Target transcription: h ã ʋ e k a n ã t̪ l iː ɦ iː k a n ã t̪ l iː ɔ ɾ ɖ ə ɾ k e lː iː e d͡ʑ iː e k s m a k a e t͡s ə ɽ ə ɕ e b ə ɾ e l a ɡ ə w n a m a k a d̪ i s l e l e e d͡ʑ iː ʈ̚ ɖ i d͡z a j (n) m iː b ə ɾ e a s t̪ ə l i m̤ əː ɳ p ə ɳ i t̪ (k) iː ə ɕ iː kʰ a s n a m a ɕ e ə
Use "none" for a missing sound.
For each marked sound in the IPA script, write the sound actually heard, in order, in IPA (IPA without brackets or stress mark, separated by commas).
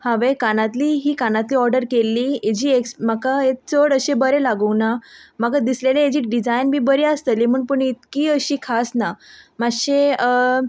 n, k